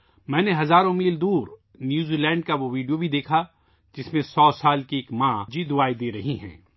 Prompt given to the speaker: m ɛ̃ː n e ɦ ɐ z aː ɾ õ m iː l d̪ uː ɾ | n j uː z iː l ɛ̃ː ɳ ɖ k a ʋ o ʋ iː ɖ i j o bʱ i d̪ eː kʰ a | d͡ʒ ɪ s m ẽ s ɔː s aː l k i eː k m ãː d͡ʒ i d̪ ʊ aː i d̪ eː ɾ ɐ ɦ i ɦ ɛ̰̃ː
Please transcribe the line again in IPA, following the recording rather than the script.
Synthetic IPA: m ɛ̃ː n e ɦ ɐ z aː ɾ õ m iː l d̪ uː ɾ | n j uː z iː l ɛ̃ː ɳ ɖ k a ʋ o ʋ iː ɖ i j o bʱ i d̪ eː kʰ a | d͡ʒ ɪ s m ẽ s ɔː s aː l k i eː k m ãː d͡ʒ i d̪ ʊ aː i d̪ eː ɾ ɐ ɦ i ɦ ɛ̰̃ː

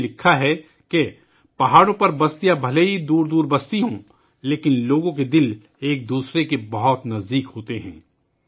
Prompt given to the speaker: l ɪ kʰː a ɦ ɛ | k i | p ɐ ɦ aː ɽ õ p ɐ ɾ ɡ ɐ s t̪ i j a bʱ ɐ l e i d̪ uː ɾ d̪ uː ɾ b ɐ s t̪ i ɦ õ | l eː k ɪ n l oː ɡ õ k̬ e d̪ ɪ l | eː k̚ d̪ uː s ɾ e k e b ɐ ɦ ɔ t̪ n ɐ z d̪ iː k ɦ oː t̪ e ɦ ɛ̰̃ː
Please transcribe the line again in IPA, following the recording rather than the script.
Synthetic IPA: l ɪ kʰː a ɦ ɛ | k e | p ɐ ɦ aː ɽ õ p ɐ ɾ b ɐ s t̪ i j a bʱ ɐ l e i d̪ uː ɾ d̪ uː ɾ b ɐ s t̪ i ɦ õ | l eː k ɪ n l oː ɡ õ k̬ e d̪ ɪ l | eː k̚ d̪ uː s ɾ e k e b ɐ ɦ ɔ t̪ n ɐ z d̪ iː k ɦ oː t̪ e ɦ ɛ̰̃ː

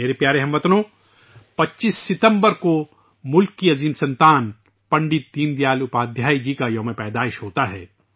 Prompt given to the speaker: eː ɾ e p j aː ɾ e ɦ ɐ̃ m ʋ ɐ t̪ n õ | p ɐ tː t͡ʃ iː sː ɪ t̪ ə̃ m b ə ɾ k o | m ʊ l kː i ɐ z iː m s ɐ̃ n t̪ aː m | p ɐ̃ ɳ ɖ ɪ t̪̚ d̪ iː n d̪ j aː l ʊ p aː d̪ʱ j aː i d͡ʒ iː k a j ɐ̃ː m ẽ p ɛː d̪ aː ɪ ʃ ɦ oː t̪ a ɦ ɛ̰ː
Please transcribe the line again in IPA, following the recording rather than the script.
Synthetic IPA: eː ɾ e p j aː ɾ e ɦ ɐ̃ m ʋ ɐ t̪ n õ | p ɐ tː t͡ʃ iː sː ɪ t̪ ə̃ m b ə ɾ k o | m ʊ l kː i ɐ z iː m s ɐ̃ n t̪ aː n | p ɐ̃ ɳ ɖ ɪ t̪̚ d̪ iː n d̪ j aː l ʊ p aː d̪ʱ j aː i d͡ʒ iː k a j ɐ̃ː m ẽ p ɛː d̪ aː ɪ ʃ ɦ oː t̪ a ɦ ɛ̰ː

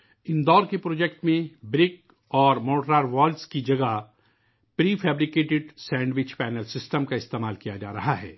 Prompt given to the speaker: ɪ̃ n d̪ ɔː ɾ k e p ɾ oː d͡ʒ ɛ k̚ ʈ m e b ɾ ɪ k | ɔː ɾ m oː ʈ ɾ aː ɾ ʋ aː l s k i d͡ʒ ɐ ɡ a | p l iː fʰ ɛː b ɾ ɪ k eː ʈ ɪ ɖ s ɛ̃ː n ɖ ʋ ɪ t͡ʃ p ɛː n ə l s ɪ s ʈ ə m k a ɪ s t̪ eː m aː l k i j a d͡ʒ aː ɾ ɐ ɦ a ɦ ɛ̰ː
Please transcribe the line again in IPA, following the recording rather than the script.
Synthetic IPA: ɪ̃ n d̪ ɔː ɾ k e p ɾ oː d͡ʒ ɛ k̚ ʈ m ẽ b ɾ ɪ k | ɔː ɾ m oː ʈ ɾ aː ɾ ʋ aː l s k i d͡ʒ ɐ ɡ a | p ɾ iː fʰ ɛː b ɾ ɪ k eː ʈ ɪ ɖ s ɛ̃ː ɳ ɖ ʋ ɪ t͡ʃ p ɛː n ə l s ɪ s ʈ ə m k a ɪ s t̪ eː m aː l k i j a d͡ʒ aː ɾ ɐ ɦ a ɦ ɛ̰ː

